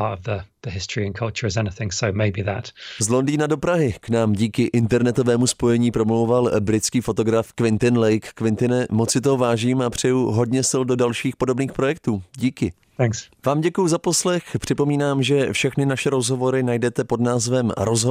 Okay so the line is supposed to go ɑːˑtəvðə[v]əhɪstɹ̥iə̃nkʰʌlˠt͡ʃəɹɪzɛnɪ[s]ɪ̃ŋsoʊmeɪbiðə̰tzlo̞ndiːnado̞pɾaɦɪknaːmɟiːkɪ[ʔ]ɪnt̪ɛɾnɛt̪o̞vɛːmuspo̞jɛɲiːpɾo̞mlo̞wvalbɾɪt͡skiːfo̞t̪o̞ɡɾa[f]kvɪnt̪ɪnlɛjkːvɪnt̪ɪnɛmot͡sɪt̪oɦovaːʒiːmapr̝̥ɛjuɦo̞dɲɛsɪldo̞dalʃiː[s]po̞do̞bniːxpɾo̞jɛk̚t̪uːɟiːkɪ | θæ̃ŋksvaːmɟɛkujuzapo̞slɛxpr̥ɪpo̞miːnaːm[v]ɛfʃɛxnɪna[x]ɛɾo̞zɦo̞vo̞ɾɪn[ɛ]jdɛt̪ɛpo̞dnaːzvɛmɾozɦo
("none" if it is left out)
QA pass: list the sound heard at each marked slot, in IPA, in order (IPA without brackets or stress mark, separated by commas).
ð, θ, ʔ, f, x, ʒ, ʃ, a